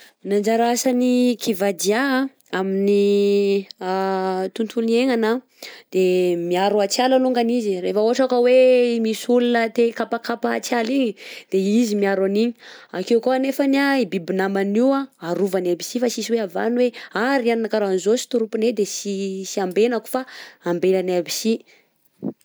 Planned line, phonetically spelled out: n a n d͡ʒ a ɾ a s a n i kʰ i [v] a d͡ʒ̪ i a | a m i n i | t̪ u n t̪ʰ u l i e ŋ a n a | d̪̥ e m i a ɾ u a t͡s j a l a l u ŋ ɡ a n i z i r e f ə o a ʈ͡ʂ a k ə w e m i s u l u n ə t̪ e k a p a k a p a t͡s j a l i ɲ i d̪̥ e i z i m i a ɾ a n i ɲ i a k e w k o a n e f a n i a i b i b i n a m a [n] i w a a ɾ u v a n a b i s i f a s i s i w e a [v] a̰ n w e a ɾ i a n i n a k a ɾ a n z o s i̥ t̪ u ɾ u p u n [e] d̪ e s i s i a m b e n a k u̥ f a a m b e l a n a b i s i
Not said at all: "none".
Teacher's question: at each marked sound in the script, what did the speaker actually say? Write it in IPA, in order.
v, n, v, e

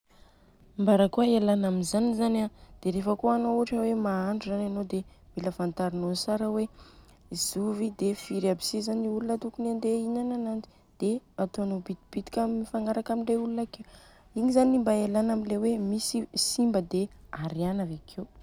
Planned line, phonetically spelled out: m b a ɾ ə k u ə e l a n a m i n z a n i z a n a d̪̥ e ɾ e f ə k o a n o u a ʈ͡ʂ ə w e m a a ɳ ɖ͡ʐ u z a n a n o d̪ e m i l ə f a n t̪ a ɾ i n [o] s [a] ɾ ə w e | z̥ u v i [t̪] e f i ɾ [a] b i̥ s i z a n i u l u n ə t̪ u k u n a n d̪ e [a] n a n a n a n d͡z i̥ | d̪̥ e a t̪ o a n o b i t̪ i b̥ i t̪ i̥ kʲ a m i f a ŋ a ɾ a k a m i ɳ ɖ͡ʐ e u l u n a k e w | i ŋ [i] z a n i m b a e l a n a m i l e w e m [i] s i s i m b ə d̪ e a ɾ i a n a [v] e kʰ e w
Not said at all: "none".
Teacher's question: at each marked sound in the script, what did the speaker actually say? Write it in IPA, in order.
o, a, d̪, a, i, i, i, v

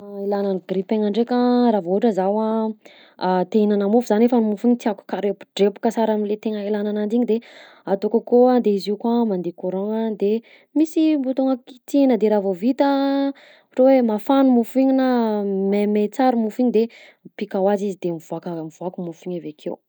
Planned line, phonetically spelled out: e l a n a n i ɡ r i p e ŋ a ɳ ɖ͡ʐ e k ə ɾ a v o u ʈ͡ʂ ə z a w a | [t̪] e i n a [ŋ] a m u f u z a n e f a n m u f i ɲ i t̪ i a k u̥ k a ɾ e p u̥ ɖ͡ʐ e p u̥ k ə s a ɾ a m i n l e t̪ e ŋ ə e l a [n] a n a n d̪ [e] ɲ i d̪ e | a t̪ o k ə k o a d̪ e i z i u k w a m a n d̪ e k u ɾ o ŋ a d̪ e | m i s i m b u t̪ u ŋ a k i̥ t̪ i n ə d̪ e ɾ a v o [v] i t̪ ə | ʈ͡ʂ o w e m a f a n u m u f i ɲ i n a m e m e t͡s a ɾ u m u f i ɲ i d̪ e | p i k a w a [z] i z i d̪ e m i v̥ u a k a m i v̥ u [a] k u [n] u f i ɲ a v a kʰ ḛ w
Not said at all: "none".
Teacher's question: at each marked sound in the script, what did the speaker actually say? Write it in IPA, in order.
t̪, n, n, i, v, z, a, m

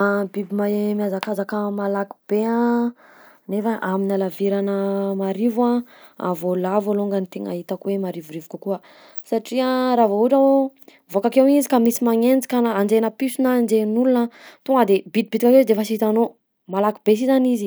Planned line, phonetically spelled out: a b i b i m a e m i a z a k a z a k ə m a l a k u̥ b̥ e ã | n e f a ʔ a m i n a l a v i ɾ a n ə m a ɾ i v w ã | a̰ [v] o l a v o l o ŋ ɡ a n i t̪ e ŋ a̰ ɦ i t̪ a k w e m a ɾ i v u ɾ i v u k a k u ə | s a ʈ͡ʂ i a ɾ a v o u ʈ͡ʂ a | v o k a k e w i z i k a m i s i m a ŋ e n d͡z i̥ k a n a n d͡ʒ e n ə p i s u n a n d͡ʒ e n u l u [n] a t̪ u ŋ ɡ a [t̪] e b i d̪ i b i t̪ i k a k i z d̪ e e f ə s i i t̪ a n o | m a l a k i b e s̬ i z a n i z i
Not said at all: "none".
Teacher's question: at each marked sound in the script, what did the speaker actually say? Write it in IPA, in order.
v, n, d̪

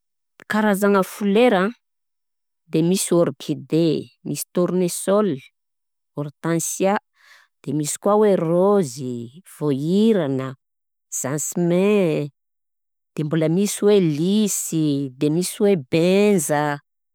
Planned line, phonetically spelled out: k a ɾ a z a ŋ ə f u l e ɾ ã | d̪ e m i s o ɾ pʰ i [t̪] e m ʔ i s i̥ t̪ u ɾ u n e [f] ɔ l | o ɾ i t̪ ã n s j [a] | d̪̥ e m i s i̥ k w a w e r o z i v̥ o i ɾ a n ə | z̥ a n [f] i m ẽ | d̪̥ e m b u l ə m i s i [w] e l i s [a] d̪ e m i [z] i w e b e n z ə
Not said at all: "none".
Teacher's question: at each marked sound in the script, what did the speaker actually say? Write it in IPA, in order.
d̪, s, a, s, w, i, s

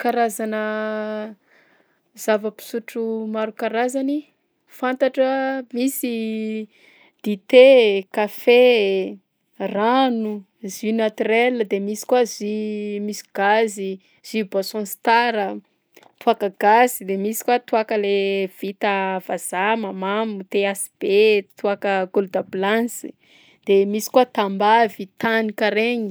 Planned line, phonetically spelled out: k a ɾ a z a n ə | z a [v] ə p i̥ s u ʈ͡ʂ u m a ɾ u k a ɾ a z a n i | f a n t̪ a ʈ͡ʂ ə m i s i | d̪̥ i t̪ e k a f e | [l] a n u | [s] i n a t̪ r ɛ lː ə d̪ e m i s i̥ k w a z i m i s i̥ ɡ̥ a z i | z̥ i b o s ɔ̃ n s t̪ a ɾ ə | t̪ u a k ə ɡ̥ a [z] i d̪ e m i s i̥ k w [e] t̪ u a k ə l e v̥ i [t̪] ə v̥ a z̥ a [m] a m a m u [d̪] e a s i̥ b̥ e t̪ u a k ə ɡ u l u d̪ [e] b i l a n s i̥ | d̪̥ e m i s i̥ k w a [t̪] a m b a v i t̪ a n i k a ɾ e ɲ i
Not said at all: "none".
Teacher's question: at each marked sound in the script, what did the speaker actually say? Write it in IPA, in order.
v, r, z, z, a, t̪, m, t̪, a, t̪

